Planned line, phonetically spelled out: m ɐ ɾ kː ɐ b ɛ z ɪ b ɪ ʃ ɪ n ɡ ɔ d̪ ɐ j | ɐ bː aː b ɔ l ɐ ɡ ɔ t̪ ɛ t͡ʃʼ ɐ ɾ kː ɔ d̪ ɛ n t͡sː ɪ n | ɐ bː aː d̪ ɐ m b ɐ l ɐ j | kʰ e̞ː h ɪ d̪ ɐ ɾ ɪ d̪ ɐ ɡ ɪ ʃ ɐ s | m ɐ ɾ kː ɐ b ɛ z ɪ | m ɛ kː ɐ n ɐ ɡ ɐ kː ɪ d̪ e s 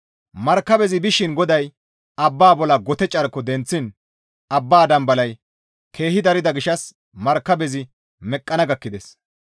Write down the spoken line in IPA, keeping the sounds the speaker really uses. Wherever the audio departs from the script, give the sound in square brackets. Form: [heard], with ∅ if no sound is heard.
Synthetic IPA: m ɐ ɾ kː ɐ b ɛ z ɪ b ɪ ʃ ɪ n ɡ ɔ d̪ ɐ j | ɐ bː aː b ɔ l ɐ ɡ ɔ t̪ ɛ t͡ʃʼ ɐ ɾ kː ɔ d̪ ɛ n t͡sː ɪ n | ɐ bː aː d̪ ɐ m b ɐ l ɐ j | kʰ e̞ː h ɪ d̪ ɐ ɾ ɪ d̪ ɐ ɡ ɪ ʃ ɐ s | m ɐ ɾ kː ɐ b ɛ z ɪ | m ɛ [kʼː] ɐ n ɐ ɡ ɐ kː ɪ d̪ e s